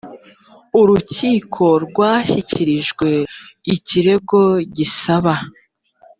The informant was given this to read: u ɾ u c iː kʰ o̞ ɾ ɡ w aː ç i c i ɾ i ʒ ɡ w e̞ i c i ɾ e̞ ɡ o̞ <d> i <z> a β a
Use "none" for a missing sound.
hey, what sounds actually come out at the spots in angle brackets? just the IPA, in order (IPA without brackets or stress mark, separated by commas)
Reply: ɟ, s